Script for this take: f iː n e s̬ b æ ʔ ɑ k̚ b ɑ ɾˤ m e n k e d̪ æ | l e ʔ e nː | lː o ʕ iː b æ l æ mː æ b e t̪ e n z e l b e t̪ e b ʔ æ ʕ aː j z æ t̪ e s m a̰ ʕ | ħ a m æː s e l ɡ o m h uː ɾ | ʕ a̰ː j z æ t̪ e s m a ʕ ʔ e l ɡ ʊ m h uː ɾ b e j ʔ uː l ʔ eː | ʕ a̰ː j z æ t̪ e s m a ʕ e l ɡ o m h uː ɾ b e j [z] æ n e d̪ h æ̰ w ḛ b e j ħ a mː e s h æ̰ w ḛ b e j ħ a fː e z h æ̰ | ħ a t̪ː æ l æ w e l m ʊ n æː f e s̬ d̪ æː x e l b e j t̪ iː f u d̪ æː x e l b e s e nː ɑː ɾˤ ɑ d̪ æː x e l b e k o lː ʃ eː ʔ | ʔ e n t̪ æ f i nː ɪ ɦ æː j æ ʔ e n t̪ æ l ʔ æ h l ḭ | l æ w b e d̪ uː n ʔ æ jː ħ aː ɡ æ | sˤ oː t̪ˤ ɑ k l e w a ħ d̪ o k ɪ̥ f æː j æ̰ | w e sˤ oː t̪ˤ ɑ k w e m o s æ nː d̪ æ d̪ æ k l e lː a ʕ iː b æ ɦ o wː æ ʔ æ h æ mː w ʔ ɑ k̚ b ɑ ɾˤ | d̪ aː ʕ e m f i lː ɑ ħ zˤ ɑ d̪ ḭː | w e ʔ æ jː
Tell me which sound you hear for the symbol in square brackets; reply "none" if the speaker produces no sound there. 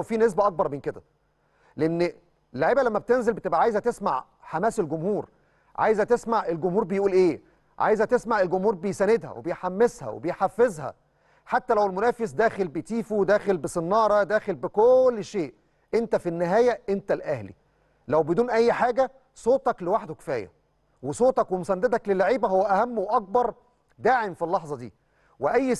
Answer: s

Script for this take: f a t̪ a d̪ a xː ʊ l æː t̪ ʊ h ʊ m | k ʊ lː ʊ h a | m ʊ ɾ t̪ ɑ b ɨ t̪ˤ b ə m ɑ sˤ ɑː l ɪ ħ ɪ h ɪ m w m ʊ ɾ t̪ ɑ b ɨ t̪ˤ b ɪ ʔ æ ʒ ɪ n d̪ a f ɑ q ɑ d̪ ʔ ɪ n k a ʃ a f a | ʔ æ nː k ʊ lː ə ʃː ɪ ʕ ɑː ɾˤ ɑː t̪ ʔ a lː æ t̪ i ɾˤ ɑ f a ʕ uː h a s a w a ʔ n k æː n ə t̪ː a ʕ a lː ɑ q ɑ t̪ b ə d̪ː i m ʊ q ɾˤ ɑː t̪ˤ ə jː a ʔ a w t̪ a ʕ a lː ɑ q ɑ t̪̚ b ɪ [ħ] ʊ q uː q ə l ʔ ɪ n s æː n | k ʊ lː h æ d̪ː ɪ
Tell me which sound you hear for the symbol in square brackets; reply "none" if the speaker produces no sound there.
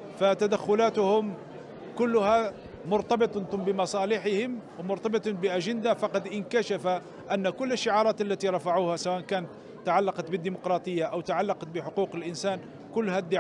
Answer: ħ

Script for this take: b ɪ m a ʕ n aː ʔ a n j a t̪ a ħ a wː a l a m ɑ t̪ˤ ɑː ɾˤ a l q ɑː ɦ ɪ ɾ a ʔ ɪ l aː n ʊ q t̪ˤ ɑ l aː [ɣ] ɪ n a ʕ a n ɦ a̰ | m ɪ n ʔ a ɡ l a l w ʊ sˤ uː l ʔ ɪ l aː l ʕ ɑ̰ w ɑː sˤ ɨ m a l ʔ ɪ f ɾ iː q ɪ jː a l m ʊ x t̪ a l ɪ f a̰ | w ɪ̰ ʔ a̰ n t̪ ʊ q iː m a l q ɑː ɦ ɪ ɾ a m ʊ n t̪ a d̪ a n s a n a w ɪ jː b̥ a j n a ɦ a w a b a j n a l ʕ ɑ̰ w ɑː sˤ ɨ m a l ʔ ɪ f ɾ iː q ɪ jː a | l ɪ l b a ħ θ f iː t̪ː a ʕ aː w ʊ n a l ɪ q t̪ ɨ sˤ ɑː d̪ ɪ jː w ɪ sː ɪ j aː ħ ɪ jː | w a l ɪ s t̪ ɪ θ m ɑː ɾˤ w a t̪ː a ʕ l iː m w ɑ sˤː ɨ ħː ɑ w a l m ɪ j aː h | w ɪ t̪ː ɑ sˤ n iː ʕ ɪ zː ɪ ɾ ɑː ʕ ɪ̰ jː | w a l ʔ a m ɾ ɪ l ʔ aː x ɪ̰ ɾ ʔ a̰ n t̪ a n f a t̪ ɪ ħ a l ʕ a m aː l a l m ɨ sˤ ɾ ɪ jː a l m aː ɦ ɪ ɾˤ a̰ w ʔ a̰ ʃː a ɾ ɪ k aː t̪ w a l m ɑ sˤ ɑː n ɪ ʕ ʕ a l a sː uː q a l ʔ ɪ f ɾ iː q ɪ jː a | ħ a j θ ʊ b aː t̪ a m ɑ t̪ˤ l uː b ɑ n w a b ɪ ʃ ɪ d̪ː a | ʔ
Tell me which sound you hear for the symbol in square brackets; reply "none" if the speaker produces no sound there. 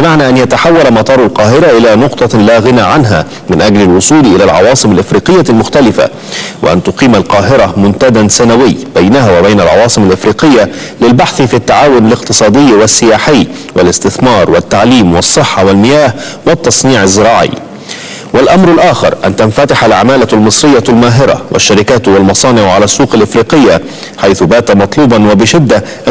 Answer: ɣ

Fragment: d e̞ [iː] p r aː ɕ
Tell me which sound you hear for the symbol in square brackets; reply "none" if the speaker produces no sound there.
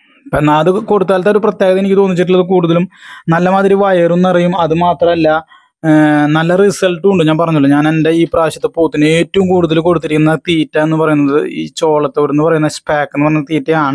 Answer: iː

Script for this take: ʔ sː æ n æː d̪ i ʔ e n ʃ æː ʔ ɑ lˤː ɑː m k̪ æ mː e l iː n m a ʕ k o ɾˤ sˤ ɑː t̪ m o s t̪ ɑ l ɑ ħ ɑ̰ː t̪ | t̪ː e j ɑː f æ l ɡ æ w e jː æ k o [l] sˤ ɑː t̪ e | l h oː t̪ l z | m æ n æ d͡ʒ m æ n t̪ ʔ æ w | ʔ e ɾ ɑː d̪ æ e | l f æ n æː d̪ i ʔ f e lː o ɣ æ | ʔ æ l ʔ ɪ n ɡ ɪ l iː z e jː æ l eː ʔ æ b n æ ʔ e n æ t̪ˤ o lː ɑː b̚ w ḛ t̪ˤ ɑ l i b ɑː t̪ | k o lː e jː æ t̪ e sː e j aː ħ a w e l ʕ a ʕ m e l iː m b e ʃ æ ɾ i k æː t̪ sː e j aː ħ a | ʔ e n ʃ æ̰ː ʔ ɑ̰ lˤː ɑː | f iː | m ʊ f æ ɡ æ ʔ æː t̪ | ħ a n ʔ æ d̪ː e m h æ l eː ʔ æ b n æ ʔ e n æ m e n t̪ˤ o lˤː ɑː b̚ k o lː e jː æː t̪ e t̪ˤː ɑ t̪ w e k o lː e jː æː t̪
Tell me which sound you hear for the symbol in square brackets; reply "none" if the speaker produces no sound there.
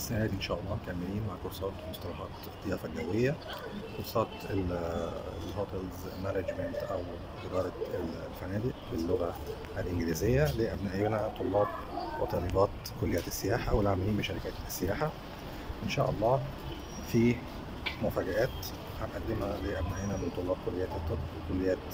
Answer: ɾ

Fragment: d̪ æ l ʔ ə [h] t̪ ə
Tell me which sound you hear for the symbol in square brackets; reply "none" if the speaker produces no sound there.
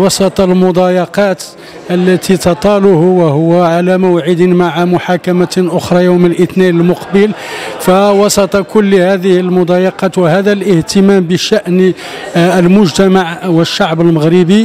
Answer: h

